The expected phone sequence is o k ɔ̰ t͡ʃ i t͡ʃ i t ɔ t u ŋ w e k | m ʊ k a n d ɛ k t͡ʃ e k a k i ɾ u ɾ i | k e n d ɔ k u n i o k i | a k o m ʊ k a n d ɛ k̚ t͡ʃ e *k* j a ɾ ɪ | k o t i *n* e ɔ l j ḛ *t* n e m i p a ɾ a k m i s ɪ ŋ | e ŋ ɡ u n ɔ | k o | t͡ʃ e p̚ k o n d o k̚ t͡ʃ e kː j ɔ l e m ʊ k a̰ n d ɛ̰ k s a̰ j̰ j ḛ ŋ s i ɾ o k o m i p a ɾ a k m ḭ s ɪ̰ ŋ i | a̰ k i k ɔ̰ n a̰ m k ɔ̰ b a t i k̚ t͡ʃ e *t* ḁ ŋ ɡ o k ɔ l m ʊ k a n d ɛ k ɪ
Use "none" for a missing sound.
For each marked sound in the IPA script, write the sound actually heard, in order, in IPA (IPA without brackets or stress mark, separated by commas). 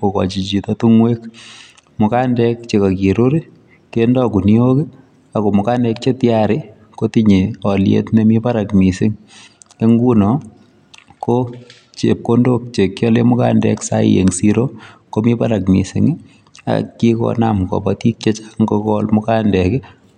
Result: t, ɲ, t, t͡ʃ